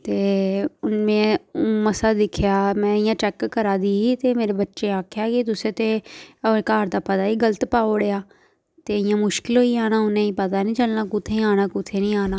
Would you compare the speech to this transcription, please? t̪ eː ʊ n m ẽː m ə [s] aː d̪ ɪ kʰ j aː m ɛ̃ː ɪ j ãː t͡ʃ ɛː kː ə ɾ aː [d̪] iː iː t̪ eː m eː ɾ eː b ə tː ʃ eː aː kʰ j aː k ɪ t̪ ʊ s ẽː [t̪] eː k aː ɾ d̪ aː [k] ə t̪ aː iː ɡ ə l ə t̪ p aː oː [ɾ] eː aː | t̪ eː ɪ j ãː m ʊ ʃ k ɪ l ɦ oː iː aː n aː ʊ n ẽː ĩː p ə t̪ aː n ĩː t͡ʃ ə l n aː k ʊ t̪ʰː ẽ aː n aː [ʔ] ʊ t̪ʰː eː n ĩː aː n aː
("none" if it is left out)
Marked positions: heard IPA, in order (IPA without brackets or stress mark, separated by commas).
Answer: s, d̪, t̪, p, ɽ, k